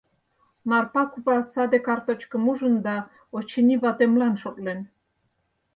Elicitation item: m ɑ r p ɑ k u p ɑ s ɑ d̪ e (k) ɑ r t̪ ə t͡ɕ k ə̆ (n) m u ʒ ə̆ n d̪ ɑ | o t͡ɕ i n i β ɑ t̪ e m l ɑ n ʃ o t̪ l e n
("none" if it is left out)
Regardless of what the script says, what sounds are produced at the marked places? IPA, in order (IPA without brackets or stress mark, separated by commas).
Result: k, none